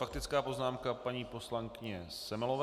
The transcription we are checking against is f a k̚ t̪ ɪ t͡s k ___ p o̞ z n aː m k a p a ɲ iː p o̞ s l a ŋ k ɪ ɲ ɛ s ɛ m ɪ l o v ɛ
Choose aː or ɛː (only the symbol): aː